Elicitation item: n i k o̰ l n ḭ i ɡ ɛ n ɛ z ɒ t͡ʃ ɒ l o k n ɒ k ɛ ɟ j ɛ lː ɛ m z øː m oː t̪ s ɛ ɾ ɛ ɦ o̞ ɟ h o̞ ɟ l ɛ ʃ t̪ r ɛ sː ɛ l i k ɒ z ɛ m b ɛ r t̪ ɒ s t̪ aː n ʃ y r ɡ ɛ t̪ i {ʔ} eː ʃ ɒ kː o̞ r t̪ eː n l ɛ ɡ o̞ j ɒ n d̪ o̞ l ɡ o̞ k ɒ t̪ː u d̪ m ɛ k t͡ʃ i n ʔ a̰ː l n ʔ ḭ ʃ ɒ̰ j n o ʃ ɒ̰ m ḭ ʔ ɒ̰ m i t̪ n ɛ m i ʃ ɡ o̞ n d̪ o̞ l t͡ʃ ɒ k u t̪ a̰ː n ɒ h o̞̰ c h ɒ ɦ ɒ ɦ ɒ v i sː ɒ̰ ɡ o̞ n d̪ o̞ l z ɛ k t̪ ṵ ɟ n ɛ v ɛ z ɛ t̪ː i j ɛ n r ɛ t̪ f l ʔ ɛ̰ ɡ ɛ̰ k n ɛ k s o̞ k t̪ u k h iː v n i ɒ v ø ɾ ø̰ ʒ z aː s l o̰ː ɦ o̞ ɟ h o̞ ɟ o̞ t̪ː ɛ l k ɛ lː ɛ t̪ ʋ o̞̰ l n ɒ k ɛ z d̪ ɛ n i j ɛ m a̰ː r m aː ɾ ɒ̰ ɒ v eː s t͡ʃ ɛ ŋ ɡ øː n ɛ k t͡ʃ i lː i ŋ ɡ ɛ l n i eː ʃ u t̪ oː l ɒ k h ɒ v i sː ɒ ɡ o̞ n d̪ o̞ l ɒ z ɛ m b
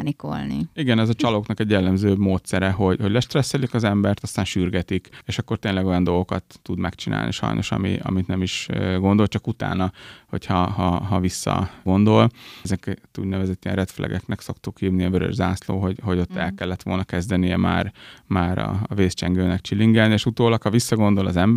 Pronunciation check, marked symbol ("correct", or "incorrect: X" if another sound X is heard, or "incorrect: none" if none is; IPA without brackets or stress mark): incorrect: k